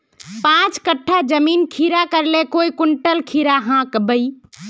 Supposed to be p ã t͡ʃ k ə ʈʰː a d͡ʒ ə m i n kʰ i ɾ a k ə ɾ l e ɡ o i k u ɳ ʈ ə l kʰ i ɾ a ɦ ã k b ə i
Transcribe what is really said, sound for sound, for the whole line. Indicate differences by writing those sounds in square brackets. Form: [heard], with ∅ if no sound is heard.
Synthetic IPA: p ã t͡ʃ k ə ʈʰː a d͡ʒ ə m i n kʰ i ɾ a k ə ɾ l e [k] o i k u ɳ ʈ ə l kʰ i ɾ a ɦ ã k b ə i